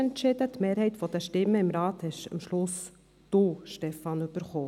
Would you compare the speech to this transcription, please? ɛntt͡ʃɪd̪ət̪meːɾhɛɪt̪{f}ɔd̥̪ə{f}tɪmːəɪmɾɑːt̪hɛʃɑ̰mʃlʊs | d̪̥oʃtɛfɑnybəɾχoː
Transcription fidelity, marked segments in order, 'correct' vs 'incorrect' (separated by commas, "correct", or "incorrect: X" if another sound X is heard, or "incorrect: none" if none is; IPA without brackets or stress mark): correct, incorrect: ʃ